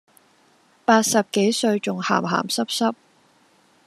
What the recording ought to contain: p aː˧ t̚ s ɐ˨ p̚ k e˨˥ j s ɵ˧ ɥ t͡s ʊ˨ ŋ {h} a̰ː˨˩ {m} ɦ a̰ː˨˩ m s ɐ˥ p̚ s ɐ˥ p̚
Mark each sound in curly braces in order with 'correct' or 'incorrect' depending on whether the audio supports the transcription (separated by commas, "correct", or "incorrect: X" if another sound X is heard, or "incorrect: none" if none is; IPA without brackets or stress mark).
correct, correct